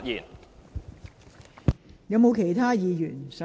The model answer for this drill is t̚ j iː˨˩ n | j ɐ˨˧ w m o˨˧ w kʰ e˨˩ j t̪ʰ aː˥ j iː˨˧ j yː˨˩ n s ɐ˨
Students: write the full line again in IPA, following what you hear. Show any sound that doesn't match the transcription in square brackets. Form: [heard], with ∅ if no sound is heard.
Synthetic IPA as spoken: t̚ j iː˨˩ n | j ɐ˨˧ w m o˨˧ w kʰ e˨˩ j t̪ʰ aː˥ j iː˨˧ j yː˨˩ n s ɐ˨